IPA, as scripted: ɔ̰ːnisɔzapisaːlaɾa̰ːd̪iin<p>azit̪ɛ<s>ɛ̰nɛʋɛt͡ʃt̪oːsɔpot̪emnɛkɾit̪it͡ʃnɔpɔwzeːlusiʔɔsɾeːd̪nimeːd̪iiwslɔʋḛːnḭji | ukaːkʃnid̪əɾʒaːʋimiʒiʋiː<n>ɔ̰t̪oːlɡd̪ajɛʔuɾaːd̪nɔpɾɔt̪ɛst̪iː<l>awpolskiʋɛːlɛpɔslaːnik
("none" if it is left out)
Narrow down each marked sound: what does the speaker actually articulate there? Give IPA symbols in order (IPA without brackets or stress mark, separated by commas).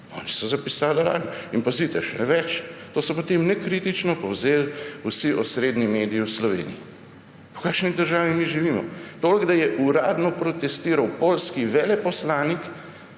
p, ʃ, m, ɾ